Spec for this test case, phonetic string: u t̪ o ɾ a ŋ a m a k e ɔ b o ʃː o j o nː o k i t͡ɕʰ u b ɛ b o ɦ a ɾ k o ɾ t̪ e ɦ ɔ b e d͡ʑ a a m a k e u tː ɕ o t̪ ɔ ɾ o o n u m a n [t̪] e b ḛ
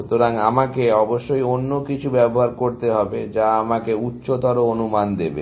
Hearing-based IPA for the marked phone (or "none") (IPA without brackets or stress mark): d̪